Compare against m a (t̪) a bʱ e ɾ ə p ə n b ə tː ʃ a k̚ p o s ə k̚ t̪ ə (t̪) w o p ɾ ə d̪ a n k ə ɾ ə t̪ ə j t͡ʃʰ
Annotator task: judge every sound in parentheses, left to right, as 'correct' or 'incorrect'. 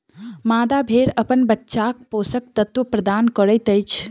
incorrect, correct

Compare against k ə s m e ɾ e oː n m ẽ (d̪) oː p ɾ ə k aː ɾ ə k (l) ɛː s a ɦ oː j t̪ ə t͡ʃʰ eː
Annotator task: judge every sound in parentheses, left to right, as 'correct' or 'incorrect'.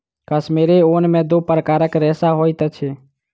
correct, incorrect

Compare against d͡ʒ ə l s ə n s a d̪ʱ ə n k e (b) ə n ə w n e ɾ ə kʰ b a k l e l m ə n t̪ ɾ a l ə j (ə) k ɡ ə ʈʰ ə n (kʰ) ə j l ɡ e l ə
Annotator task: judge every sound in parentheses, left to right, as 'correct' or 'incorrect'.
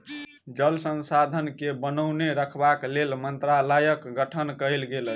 correct, correct, incorrect

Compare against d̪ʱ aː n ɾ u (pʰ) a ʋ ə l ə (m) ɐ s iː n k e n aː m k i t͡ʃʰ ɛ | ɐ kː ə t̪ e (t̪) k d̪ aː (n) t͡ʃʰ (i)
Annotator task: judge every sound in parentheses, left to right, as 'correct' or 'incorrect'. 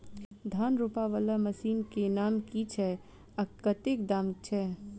incorrect, correct, incorrect, incorrect, incorrect

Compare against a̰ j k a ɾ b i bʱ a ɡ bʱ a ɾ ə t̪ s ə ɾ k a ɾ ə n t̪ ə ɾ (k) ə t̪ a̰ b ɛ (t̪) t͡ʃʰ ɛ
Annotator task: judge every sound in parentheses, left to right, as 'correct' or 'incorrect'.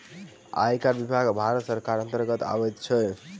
incorrect, correct

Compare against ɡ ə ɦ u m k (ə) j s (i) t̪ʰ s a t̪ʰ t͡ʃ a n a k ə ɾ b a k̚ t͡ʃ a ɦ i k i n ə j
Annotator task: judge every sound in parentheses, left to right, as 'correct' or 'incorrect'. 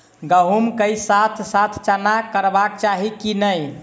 correct, incorrect

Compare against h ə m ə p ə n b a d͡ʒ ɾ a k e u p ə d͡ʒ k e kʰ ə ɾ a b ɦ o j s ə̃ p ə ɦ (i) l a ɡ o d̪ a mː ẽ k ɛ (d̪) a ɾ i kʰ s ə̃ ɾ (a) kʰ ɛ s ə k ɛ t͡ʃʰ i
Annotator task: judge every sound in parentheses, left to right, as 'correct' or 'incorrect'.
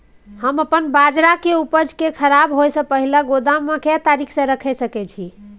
correct, incorrect, incorrect

